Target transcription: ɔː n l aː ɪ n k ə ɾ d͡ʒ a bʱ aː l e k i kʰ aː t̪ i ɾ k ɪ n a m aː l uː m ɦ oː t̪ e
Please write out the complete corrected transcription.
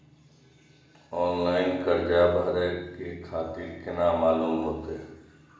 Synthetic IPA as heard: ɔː n l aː ɪ n k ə ɾ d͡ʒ a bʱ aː ɾ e k e kʰ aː t̪ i ɾ k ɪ n a m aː l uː m ɦ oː t̪ e